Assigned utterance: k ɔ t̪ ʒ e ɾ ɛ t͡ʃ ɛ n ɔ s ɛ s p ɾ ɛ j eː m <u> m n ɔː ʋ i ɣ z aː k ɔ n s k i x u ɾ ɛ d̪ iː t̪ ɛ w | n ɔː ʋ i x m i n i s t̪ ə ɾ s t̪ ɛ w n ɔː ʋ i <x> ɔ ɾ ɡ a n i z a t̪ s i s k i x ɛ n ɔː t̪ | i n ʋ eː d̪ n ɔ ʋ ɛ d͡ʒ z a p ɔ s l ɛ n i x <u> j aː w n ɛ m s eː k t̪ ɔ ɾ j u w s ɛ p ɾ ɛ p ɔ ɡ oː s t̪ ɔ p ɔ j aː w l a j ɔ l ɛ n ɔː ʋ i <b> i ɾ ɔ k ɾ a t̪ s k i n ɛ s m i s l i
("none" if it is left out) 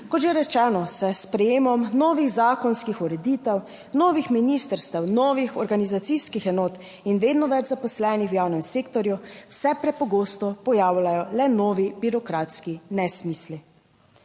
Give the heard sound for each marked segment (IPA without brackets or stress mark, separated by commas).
ɔ, x, w, b